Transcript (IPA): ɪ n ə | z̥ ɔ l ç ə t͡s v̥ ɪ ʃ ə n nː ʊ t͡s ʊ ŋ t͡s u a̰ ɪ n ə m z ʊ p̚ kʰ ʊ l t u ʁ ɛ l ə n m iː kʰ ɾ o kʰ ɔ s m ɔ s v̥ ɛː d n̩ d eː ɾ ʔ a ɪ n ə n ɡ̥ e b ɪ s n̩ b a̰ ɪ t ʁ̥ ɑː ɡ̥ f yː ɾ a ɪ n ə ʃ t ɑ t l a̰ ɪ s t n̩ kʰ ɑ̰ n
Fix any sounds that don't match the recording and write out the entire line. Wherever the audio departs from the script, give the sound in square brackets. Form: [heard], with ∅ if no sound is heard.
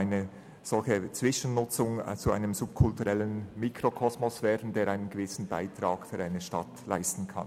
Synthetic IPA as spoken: ɪ n ə | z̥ ɔ l ç ə t͡s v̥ ɪ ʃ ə n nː ʊ t͡s ʊ ŋ t͡s u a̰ ɪ n ə m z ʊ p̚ kʰ ʊ l t u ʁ ɛ l ə n m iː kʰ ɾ o kʰ ɔ s m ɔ s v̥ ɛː d n̩ d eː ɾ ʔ a ɪ n ə n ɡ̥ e [v] ɪ s n̩ b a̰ ɪ t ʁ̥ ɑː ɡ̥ f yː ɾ a ɪ n ə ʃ t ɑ t l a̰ ɪ s t n̩ kʰ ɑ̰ n